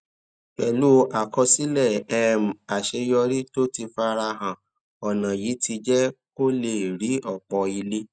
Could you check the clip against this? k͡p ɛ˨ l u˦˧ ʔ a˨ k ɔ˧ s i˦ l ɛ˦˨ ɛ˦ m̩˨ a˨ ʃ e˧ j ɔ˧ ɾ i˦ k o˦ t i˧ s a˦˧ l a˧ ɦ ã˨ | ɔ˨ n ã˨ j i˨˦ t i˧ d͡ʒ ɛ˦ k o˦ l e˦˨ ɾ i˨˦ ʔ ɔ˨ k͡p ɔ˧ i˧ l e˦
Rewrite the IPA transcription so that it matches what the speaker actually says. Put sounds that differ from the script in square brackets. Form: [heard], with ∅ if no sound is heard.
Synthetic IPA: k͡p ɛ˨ l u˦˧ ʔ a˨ k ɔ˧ s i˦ l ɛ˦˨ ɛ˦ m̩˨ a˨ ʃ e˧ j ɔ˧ ɾ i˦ [t] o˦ t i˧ [f] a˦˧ [ɾ] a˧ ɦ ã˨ | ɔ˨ n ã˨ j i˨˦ t i˧ d͡ʒ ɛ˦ k o˦ l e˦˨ ɾ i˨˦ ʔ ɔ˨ k͡p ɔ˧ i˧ l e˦